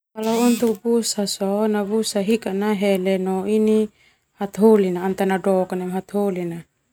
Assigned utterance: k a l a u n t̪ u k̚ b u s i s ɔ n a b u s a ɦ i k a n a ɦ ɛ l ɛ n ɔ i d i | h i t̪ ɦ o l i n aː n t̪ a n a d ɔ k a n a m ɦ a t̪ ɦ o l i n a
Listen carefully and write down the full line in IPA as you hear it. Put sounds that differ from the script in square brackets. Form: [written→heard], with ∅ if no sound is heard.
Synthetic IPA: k a l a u n t̪ u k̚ b u s [i→a] s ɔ n a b u s a ɦ i k a n a ɦ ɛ l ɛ n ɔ i [d→n] i | h [i→a] t̪ ɦ o l i n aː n t̪ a n a d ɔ k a n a m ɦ a t̪ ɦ o l i n a